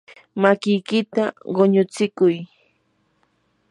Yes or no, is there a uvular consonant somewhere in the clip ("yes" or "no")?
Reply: yes